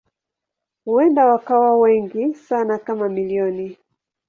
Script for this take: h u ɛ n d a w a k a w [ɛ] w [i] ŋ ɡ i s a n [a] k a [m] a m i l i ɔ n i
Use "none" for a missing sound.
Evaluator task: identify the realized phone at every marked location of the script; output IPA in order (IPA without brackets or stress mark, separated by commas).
a, ɛ, a, m